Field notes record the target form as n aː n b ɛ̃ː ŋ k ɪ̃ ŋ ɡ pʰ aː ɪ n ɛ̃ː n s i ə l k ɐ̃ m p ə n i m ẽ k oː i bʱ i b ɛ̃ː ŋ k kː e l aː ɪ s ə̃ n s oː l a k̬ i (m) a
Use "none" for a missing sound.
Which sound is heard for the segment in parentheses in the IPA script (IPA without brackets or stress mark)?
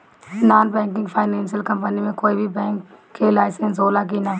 n